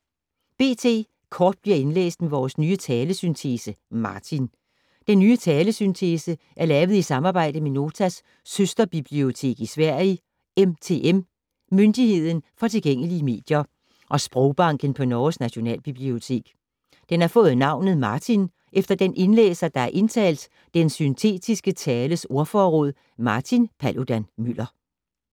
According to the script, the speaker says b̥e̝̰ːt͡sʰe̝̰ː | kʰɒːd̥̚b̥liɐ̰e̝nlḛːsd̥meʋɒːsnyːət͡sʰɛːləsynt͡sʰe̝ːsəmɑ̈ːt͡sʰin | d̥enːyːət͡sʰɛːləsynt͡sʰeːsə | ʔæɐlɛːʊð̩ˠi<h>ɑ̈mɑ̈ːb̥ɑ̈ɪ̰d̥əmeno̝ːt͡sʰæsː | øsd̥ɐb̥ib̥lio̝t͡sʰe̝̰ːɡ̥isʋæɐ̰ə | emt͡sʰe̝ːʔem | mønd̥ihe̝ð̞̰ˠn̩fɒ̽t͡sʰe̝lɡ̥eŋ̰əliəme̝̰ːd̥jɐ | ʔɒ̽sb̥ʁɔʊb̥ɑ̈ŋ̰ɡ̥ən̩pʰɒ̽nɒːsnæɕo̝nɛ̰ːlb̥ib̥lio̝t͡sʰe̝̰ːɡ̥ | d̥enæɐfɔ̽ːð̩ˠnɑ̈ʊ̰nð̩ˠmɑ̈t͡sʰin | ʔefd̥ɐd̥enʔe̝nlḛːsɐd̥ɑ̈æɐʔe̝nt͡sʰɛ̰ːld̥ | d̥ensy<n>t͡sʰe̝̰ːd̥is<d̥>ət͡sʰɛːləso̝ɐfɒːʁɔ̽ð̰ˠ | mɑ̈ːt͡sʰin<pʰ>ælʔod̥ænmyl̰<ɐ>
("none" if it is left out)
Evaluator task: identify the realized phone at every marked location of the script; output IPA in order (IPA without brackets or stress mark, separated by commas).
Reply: s, n, ɡ̥, pʰ, ɐ